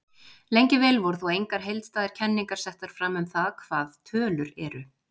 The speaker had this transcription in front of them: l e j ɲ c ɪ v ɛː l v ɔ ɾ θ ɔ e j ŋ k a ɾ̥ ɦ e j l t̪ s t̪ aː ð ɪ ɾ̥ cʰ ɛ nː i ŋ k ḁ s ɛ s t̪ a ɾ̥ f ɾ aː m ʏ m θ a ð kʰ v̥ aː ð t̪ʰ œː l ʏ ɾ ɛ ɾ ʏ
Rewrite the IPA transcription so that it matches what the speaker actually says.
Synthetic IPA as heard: l e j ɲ c ɪ v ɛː l v ɔ ɾ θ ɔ e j ŋ k a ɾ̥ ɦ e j l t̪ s t̪ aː ð ɪ ɾ̥ cʰ ɛ nː i ŋ k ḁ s ɛ h t̪ a ɾ̥ f ɾ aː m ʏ m θ a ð kʰ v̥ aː ð t̪ʰ œː l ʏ ɾ ɛ ɾ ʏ